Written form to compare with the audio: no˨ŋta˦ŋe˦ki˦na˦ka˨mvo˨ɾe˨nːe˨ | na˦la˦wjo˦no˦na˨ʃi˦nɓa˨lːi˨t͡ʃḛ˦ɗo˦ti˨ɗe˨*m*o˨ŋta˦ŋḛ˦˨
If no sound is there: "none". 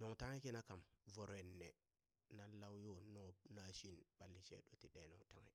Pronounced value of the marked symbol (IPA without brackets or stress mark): n